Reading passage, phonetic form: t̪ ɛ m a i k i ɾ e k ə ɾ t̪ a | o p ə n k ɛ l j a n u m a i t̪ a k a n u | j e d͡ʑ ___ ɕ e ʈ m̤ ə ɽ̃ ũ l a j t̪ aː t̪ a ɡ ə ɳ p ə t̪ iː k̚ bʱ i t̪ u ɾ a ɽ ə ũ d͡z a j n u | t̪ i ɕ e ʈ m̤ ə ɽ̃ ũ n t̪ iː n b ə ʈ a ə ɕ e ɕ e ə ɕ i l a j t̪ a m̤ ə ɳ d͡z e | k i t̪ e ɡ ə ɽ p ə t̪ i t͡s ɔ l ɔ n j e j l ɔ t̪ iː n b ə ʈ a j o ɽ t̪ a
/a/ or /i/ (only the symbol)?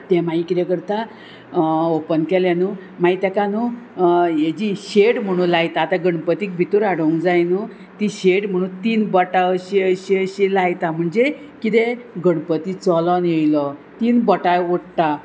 i